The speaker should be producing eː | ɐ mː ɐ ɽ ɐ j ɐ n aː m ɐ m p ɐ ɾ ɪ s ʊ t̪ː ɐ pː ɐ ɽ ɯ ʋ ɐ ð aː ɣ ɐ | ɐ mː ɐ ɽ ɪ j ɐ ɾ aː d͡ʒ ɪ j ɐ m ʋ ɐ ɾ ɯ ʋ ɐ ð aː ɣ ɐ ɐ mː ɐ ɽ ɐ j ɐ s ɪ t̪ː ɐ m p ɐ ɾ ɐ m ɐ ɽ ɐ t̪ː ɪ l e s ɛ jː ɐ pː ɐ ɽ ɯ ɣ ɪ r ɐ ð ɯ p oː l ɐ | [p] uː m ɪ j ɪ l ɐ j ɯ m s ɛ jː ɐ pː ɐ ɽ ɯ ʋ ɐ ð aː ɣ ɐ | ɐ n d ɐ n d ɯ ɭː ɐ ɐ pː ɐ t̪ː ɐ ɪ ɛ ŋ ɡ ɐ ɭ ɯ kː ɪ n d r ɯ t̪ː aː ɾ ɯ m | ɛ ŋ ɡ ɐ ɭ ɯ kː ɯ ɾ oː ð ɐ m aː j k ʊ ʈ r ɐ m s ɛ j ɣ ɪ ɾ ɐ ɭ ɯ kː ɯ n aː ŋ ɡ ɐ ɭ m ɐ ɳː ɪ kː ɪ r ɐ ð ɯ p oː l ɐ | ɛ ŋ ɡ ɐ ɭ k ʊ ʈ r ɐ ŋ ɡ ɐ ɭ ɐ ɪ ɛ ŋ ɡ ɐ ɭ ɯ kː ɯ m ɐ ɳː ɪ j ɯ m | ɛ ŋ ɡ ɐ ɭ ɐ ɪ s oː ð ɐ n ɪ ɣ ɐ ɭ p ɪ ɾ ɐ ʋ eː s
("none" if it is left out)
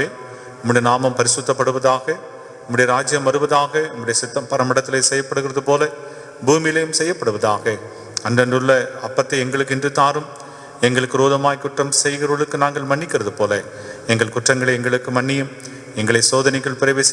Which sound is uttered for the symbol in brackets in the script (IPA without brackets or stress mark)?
b